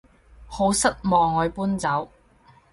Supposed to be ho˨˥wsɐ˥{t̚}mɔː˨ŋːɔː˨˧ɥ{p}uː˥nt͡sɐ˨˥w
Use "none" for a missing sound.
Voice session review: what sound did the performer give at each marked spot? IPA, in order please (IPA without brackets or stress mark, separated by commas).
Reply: t̚, p